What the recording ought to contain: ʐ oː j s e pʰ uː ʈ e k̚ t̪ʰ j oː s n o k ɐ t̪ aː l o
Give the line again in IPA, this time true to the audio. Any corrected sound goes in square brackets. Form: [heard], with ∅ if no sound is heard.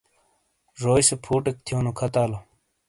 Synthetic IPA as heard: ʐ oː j s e pʰ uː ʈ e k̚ t̪ʰ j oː [∅] n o [kʰ] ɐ t̪ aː l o